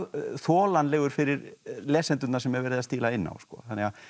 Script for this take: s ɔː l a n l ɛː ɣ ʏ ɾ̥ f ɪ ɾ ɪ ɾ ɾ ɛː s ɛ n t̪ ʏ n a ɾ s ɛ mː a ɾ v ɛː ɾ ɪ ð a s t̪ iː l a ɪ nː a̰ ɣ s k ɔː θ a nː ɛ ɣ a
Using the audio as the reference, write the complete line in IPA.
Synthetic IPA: θ ɔː l a n l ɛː ɣ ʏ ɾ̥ f ɪ ɾ ɪ ɾ l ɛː s ɛ n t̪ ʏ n a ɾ s ɛ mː ɛ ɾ v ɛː ɾ ɪ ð a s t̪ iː l a ɪ nː a̰ w s k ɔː θ a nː ɛ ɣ a